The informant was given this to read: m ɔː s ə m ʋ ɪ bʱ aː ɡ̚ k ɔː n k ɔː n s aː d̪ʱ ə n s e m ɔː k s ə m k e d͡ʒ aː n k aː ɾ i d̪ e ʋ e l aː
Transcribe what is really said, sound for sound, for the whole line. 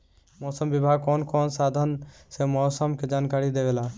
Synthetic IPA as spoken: m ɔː s ə m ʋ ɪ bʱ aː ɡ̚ k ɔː n k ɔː n s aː d̪ʱ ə n s e m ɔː s ə m k e d͡ʒ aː n k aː ɾ i d̪ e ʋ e l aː

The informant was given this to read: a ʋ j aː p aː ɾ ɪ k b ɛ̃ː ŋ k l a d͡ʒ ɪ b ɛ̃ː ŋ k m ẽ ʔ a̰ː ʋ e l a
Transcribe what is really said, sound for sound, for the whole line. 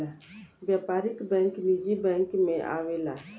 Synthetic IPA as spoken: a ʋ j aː p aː ɾ ɪ k b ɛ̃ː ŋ k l i d͡ʒ i b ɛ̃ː ŋ k m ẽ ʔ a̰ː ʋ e l a

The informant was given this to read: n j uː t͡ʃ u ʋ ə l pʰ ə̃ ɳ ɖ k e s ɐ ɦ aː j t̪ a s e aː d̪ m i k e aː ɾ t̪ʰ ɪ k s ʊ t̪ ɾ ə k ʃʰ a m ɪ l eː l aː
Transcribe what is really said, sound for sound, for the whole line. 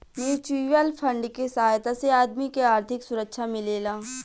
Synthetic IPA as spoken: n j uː t͡ʃ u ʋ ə l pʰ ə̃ ɳ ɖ k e s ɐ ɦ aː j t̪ a s e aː d̪ m i k e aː ɾ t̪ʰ ɪ k s ʊ ɾ ə k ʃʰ a m ɪ l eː l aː

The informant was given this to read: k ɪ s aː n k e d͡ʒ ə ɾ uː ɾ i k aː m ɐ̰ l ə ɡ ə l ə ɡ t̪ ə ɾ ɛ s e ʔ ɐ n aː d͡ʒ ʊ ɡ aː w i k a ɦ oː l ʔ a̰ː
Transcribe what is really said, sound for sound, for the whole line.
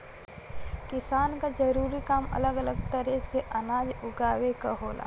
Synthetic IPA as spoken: k ɪ s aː n k a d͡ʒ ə ɾ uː ɾ i k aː m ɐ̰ l ə ɡ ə l ə ɡ t̪ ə ɾ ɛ s e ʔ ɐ n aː d͡ʒ ʊ ɡ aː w e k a ɦ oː l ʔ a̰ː

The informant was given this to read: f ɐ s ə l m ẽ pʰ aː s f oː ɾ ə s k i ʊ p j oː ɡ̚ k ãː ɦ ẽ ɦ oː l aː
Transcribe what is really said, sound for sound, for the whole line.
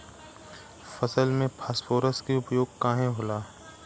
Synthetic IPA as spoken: f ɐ s ə l m ẽ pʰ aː s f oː ɾ ə s k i ʊ p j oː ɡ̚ k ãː ɦ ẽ ɦ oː l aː

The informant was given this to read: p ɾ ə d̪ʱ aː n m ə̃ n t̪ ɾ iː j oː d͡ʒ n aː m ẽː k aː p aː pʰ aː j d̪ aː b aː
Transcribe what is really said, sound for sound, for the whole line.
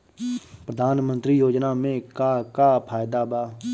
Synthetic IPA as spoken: p ɾ ə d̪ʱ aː n m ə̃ n t̪ ɾ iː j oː d͡ʒ n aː m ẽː k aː k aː pʰ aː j d̪ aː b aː

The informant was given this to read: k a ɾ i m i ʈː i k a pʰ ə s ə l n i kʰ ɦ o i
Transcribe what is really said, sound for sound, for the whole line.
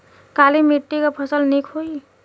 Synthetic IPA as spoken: k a l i m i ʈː i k a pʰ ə s ə l n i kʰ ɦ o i

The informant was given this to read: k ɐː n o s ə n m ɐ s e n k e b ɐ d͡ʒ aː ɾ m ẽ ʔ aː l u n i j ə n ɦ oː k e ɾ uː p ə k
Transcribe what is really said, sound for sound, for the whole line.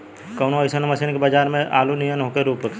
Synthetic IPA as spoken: k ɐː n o s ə n m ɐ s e n k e b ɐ d͡ʒ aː ɾ m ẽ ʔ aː l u n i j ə n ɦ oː k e ɾ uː p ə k

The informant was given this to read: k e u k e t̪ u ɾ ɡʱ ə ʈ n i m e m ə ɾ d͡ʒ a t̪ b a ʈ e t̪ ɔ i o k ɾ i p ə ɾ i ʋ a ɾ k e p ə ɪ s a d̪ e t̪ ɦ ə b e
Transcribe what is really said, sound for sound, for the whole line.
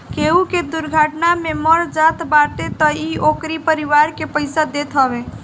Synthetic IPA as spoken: k e u k e d̪ u ɾ ɡʱ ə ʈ n a m e m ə ɾ d͡ʒ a t̪ b a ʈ e t̪ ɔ i o k ɾ i p ə ɾ i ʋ a ɾ k e p ə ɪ s a d̪ e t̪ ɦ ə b e

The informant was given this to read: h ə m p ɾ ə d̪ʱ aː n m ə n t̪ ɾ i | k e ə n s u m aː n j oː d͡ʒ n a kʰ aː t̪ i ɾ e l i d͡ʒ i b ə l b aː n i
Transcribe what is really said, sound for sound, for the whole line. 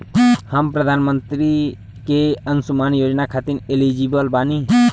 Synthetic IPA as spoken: h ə m p ɾ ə d̪ʱ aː n m ə n t̪ ɾ i | k e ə n s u m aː n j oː d͡ʒ n a kʰ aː t̪ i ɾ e l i d͡ʒ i b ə l b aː n i

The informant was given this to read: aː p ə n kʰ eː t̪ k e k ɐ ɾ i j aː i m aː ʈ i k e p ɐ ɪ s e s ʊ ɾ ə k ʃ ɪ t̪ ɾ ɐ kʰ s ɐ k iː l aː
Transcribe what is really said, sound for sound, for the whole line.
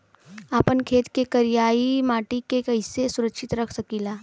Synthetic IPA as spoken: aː p ə n kʰ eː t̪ k e k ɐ ɾ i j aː i m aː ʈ i k e k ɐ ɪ s e s ʊ ɾ ə k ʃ ɪ t̪ ɾ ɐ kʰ s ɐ k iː l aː

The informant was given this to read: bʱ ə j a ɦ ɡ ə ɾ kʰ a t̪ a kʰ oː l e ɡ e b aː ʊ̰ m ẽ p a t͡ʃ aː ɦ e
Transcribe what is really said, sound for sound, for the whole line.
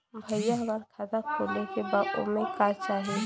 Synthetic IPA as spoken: bʱ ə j a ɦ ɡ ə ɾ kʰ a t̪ a kʰ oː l e k e b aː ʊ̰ m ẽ k a t͡ʃ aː ɦ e

